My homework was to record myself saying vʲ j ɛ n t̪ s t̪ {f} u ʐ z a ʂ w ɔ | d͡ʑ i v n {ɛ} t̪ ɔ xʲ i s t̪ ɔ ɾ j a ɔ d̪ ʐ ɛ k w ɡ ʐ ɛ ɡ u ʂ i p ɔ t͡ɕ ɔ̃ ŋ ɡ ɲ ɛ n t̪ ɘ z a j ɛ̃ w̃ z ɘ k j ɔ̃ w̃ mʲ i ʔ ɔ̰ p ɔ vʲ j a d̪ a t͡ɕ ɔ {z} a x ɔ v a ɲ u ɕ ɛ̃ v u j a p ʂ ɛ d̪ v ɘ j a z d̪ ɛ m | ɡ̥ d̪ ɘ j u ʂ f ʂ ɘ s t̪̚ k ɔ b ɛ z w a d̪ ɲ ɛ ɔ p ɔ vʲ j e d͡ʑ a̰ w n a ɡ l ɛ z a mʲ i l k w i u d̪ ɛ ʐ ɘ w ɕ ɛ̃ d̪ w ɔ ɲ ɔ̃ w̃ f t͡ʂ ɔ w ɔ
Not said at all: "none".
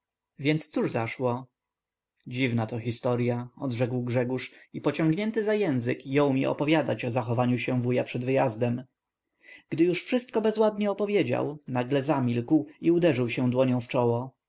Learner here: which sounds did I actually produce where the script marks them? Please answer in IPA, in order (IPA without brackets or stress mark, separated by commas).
s, a, z